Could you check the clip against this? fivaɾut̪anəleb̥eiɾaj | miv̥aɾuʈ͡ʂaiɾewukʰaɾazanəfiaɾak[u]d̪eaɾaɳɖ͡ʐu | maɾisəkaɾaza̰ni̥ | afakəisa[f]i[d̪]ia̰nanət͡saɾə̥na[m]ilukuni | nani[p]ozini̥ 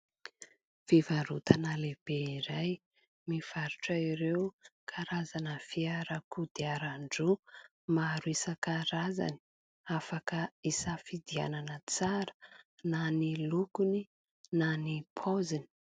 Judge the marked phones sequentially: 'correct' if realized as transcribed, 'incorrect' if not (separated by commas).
correct, correct, correct, incorrect, incorrect